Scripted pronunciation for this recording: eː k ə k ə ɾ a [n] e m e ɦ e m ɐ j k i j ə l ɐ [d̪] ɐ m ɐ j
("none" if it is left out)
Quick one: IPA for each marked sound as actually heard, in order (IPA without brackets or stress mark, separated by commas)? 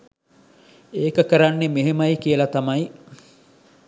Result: nː, t̪